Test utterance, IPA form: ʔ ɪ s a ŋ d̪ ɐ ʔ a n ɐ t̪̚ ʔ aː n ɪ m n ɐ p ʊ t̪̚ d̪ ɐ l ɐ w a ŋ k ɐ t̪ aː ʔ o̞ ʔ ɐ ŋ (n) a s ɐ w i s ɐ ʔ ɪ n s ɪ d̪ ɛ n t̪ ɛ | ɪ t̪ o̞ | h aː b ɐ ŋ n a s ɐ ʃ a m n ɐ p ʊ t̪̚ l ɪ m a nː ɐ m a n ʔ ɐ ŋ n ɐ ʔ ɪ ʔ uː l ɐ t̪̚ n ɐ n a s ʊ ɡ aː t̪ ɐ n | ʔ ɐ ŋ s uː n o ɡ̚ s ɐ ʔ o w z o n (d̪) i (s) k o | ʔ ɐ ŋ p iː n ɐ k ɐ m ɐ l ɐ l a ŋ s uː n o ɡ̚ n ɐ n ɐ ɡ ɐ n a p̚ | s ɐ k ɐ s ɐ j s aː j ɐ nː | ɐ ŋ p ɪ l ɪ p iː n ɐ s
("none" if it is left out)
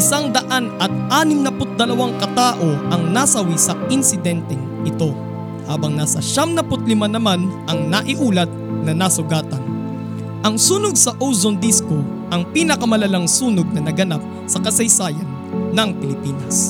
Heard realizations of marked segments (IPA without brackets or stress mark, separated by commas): n, d̪, s